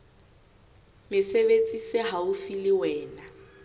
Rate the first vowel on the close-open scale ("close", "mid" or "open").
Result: close